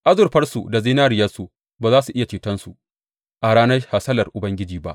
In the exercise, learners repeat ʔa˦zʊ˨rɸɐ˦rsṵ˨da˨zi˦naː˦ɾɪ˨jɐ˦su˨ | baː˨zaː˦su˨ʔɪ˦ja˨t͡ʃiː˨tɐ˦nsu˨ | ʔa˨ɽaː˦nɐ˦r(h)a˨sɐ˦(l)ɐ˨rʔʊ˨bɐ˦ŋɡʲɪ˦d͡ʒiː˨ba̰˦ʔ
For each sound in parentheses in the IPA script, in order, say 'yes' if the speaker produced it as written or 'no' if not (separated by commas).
yes, yes